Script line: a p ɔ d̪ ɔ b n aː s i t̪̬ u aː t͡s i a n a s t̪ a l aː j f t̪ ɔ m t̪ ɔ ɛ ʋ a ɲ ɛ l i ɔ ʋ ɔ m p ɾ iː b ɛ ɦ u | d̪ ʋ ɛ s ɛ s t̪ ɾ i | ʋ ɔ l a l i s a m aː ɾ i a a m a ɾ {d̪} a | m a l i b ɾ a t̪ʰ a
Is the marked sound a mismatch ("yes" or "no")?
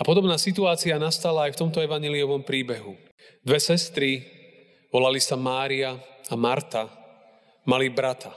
yes